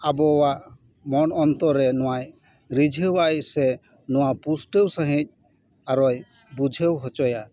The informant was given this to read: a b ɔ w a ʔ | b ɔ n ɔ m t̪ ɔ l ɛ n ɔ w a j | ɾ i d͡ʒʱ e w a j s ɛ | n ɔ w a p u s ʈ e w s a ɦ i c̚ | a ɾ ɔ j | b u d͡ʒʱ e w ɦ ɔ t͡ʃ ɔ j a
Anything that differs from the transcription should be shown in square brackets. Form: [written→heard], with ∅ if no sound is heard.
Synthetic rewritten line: a b ɔ w a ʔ | [b→m] ɔ n ɔ [m→n] t̪ ɔ [l→ɾ] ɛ n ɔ w a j | ɾ i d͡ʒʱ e w a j s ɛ | n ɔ w a p u s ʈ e w s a ɦ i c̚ | a ɾ ɔ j | b u d͡ʒʱ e w ɦ ɔ t͡ʃ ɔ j a